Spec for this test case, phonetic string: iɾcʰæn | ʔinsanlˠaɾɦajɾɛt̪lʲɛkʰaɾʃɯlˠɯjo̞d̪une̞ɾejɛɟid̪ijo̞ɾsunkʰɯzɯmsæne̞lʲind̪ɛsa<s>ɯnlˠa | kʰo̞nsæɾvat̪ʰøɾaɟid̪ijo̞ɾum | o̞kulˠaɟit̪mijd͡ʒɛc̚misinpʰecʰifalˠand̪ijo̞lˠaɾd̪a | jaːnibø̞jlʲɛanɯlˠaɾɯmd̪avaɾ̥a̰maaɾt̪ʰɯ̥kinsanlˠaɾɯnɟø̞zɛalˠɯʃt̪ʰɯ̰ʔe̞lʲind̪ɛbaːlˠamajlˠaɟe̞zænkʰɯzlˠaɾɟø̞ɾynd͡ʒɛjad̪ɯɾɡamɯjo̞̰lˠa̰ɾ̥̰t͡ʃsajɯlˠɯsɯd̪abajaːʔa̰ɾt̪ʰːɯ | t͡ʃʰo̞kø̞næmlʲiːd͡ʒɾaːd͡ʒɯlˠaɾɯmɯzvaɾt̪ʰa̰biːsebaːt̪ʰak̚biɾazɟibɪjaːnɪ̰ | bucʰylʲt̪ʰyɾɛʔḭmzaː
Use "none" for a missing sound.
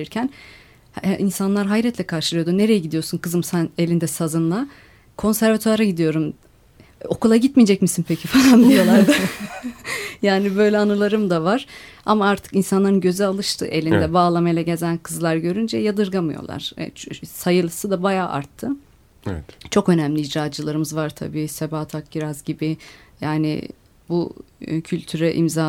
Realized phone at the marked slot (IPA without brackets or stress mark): z